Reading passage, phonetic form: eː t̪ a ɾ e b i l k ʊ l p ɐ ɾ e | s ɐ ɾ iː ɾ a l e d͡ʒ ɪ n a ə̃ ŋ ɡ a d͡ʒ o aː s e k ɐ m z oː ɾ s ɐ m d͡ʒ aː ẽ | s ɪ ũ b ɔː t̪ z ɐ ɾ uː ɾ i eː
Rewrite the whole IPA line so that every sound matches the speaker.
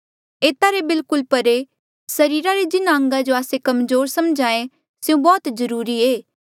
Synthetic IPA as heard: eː t̪ a ɾ e b ɪ l k ʊ l p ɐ ɾ e | s ɐ ɾ iː ɾ a ɾ e d͡ʒ ɪ n a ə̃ ŋ ɡ a d͡ʒ o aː s e k ɐ m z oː ɾ s ɐ m d͡ʒ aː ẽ | s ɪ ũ b ɔː t̪ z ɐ ɾ uː ɾ i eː